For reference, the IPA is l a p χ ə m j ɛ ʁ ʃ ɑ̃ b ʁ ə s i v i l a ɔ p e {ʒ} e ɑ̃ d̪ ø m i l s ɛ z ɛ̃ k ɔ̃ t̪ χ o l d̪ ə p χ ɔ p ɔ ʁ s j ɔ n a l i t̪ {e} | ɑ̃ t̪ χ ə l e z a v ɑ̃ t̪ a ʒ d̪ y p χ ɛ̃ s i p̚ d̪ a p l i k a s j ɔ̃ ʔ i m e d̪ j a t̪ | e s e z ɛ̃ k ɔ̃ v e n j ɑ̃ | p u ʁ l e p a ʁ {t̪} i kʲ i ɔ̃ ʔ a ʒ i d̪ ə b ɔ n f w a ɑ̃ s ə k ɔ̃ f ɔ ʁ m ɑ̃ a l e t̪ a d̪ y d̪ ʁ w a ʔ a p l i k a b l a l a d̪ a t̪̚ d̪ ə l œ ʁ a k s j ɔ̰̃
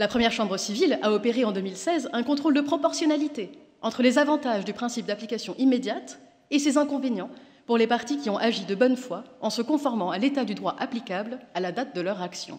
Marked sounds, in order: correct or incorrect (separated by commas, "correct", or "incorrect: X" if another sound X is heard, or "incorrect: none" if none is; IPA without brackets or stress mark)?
incorrect: ʁ, correct, correct